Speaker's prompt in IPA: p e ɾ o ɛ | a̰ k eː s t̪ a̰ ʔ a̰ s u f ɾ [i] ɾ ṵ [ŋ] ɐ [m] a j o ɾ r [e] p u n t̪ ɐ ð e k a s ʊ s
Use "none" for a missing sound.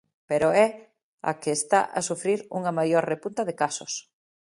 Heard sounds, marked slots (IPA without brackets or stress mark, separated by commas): i, ŋ, m, e